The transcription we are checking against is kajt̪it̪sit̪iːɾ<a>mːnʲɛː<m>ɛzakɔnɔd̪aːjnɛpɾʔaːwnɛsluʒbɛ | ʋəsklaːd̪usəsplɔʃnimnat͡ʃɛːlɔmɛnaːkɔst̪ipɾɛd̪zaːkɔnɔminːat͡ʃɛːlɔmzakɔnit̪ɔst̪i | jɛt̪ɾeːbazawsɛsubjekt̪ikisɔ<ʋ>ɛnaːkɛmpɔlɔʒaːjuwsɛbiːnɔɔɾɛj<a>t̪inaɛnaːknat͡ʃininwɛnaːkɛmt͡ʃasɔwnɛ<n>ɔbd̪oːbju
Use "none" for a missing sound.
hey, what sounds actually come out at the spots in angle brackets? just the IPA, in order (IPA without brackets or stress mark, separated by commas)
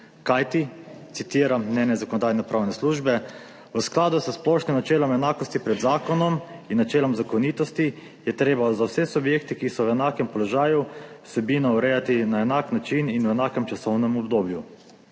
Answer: a, n, w, a, m